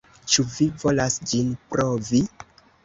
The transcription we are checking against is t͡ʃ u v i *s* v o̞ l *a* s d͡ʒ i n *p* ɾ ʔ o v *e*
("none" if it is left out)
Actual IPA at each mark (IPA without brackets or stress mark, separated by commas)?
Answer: none, a, p, i